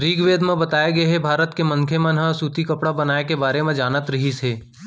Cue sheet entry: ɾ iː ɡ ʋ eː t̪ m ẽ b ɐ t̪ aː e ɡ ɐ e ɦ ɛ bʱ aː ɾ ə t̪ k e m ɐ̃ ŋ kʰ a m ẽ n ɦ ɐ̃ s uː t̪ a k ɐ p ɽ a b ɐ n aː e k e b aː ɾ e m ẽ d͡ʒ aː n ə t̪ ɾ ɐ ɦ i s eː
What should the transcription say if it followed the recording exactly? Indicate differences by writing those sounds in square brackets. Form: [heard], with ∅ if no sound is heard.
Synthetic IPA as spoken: ɾ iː ɡ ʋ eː [d̪] m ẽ b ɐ t̪ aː e ɡ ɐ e ɦ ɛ bʱ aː ɾ ə t̪ k e m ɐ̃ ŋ kʰ [e] m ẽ n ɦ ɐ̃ s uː t̪ [i] k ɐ p ɽ a b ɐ n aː e k e b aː ɾ e m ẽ d͡ʒ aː n ə t̪ ɾ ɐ ɦ i s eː